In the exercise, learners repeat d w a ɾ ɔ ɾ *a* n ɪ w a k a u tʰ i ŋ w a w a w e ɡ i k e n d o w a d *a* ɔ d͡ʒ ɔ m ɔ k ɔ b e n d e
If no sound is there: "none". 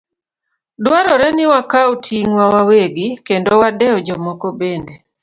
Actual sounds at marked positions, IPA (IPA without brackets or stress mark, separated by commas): ɛ, ɛ